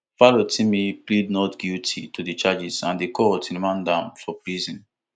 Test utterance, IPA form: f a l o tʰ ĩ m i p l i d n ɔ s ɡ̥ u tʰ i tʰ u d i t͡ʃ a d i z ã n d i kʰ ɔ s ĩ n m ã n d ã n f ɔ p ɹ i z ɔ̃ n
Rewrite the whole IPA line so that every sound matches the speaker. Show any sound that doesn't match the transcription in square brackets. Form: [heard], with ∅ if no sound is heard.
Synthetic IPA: f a l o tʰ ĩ m i p l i d n ɔ [t] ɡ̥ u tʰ i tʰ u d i t͡ʃ a [d͡ʒ] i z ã n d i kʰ ɔ [t] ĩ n m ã n d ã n f ɔ p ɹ i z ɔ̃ n